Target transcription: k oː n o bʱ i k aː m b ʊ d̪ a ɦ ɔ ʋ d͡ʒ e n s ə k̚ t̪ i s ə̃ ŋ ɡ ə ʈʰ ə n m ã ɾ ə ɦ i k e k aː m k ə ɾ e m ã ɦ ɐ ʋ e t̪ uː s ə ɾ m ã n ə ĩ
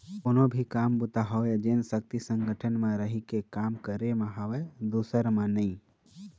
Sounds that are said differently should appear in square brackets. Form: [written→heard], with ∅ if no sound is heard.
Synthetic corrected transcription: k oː n o bʱ i k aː m b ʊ [d̪→t̪] a ɦ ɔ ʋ d͡ʒ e n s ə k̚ t̪ i s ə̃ ŋ ɡ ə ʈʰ ə n m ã ɾ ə ɦ i k e k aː m k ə ɾ e m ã ɦ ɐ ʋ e [t̪→d̪] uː s ə ɾ m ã n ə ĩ